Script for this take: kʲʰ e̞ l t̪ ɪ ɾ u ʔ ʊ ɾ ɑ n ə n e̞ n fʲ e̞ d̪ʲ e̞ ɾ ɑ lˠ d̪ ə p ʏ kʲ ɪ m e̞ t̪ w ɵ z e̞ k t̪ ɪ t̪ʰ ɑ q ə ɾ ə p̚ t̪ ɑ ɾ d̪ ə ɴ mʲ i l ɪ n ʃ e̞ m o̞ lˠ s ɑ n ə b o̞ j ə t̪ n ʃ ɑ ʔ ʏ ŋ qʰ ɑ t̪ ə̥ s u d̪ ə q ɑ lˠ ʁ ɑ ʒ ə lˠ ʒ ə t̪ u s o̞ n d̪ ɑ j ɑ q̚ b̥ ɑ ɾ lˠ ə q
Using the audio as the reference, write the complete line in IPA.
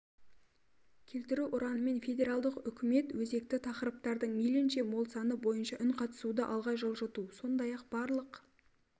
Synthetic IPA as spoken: kʲʰ e̞ l t̪ ɪ ɾ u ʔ ʊ ɾ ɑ n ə m e̞ n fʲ e̞ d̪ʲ e̞ ɾ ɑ lˠ d̪ ə q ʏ kʲ ɪ m e̞ t̪ w ɵ z e̞ k t̪ ɪ t̪ʰ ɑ q ə ɾ ə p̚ t̪ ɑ ɾ d̪ ə ɴ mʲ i l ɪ n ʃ e̞ m o̞ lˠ s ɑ n ə b o̞ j ə n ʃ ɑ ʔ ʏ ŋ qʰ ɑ t̪ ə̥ s u d̪ ə ʔ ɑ lˠ ʁ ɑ ʒ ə lˠ ʒ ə t̪ u s o̞ n d̪ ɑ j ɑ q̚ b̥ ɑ ɾ lˠ ə q